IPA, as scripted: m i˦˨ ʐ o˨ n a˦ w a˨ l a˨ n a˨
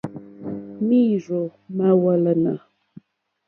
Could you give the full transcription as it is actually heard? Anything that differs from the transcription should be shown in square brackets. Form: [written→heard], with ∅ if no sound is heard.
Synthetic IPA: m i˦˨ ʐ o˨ [n→m] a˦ w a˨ l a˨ n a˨